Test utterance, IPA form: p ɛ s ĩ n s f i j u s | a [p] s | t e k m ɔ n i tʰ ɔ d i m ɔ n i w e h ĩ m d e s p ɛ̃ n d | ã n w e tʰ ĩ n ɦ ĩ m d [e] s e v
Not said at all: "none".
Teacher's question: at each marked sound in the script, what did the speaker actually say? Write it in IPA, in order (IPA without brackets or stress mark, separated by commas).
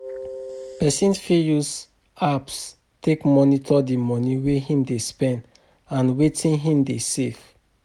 p, e